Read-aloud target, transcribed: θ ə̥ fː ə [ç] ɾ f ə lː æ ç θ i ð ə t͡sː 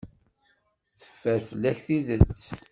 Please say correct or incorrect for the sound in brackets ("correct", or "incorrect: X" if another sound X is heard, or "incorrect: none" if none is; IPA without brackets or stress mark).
incorrect: none